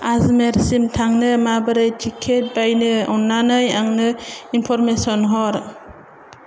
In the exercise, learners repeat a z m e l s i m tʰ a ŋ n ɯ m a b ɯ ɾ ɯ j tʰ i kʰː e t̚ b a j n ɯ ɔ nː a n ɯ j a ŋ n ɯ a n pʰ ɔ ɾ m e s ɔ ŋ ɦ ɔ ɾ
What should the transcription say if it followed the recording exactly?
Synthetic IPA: a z m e ɾ s i m tʰ a ŋ n ɯ m a b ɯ ɾ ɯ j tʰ i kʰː e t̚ b a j n ɯ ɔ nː a n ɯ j a ŋ n ɯ i n pʰ ɔ ɾ m e s ɔ n ɦ ɔ ɾ